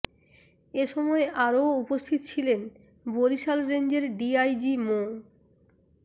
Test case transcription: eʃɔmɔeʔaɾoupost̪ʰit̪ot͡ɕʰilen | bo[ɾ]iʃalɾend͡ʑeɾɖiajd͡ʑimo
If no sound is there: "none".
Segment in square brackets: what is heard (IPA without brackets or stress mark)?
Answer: ɾ